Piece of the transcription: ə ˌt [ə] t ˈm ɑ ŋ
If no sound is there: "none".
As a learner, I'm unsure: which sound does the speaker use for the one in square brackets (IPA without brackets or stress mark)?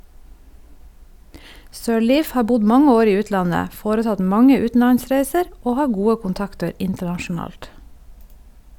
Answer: ɑ